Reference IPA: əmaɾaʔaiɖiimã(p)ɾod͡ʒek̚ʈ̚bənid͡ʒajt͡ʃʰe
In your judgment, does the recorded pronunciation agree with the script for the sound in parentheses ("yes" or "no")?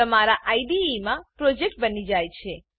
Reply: yes